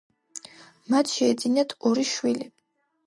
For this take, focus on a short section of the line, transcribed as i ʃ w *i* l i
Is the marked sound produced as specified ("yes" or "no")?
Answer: yes